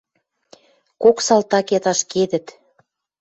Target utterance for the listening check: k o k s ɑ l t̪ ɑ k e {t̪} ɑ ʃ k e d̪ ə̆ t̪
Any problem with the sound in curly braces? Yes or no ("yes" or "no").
no